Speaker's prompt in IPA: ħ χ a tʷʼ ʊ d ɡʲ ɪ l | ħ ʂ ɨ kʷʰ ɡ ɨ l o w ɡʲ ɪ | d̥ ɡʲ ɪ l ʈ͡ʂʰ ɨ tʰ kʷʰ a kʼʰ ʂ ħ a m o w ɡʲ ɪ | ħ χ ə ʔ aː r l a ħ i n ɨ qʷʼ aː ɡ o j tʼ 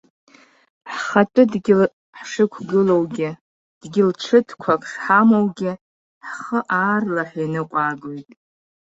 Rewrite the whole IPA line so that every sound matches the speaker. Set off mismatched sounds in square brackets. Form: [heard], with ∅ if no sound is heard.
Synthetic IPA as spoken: ħ χ a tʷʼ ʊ d ɡʲ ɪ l | ħ ʂ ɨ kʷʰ ɡ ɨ l o w ɡʲ ɪ | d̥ ɡʲ ɪ l ʈ͡ʂʰ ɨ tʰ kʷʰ a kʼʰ ʂ ħ a m o w ɡʲ ɪ | ħ χ ə ʔ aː r l a ħ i n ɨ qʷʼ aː ɡ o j tʼ